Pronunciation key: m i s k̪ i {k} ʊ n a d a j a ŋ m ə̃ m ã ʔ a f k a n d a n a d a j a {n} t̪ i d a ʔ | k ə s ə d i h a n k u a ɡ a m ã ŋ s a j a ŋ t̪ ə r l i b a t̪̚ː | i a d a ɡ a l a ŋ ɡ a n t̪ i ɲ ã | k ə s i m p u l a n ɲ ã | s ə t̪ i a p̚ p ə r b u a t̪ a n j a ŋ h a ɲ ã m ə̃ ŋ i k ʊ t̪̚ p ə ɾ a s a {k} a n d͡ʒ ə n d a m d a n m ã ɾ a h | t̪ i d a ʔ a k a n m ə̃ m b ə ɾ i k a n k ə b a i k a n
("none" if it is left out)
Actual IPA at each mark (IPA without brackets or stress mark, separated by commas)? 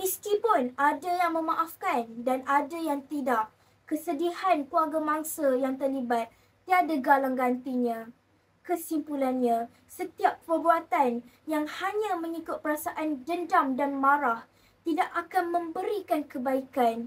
p, ŋ, ʔ